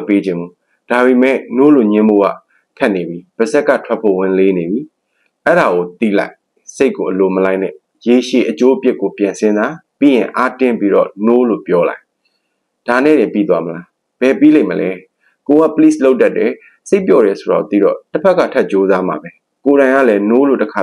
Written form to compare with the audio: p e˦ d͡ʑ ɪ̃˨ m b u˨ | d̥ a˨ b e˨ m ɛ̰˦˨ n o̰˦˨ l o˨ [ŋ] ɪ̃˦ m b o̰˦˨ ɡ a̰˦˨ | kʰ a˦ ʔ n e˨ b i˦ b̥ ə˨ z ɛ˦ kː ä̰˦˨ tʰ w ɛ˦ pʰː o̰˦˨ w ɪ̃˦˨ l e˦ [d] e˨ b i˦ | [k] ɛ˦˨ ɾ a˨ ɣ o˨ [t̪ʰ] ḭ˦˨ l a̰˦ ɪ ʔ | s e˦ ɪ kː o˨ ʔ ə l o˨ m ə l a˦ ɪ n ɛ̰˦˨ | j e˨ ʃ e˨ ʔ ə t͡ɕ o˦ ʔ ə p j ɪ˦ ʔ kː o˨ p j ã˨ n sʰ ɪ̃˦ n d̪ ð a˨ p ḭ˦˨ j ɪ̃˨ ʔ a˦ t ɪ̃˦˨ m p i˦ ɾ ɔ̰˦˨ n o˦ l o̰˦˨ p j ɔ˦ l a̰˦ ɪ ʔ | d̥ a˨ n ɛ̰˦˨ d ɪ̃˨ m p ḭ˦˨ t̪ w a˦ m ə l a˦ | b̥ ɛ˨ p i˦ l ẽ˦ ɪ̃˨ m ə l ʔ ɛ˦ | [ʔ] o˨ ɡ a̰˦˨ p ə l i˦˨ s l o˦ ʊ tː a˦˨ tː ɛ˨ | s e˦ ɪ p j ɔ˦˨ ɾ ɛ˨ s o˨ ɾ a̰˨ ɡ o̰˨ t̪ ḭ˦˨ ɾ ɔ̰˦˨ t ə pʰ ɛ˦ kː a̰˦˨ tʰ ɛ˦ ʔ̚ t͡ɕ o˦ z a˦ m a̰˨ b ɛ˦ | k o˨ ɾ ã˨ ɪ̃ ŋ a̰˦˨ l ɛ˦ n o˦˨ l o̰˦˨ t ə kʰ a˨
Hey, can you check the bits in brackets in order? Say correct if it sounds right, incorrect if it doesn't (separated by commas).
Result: incorrect, incorrect, incorrect, incorrect, incorrect